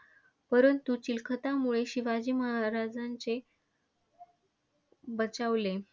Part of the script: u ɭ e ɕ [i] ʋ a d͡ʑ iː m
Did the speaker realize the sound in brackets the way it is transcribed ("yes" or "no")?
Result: yes